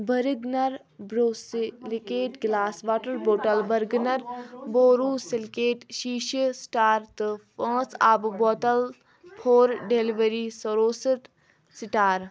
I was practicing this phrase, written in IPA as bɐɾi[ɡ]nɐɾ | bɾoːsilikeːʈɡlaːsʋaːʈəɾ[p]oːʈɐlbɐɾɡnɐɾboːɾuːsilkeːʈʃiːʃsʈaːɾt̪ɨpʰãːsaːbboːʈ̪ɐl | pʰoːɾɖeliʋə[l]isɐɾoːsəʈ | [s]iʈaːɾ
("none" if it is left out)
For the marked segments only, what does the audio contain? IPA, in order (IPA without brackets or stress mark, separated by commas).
ɡ, b, ɾ, s